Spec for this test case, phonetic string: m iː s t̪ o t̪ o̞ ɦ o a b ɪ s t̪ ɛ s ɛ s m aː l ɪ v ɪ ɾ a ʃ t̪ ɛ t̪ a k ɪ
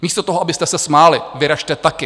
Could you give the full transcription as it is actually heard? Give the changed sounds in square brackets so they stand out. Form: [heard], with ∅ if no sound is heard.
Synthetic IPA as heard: m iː s t̪ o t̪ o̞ ɦ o a b ɪ s t̪ ɛ s ɛ s m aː l ɪ v ɪ ɾ a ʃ t̪ ɛ t̪ a k ɪ